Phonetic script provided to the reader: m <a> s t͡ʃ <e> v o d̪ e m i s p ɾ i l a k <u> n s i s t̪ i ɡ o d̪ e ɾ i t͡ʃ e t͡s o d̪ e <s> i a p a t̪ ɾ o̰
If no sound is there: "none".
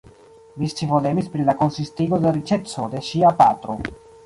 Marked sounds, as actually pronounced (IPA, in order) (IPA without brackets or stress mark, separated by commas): i, i, o, ʃ